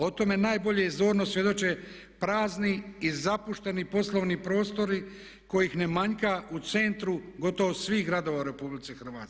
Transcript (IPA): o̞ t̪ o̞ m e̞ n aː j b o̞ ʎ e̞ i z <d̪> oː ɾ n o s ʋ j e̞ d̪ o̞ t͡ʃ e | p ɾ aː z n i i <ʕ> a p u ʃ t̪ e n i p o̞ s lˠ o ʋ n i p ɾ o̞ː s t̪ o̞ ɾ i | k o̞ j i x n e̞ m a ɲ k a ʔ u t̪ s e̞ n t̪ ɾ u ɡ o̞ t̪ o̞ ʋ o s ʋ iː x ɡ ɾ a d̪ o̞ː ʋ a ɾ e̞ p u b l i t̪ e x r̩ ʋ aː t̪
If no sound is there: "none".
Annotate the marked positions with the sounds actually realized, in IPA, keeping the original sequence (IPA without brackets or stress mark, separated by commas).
d̪, z